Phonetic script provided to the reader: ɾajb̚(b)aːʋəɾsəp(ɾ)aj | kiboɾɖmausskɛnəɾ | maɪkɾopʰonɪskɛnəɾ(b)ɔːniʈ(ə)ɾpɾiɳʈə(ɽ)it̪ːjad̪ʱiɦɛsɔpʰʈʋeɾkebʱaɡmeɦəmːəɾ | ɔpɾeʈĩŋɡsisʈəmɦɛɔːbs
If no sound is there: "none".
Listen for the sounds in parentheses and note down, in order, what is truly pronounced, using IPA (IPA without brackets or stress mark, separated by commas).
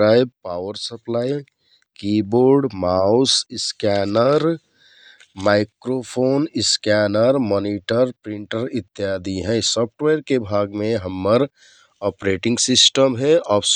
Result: p, l, m, ə, ɾ